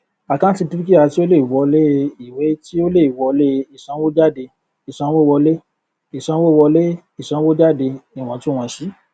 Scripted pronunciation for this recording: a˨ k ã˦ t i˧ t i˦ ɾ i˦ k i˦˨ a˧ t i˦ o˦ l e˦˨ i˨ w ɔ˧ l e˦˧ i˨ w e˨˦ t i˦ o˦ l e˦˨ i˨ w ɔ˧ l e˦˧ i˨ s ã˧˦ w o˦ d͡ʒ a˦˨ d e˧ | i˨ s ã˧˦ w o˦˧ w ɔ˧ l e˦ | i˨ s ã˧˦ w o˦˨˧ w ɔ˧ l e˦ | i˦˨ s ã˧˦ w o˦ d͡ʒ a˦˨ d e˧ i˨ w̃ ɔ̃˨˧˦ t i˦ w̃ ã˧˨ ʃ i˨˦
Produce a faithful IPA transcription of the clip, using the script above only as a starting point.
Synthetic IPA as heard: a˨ k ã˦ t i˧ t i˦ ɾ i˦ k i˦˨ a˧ t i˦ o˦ l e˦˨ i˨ w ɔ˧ l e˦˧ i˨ w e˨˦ t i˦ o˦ l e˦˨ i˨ w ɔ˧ l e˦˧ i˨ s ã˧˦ w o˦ d͡ʒ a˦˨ d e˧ | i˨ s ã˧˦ w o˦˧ w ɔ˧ l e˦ | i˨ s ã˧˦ w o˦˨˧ w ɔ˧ l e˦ | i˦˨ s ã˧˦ w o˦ d͡ʒ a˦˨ d e˧ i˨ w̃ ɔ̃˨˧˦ t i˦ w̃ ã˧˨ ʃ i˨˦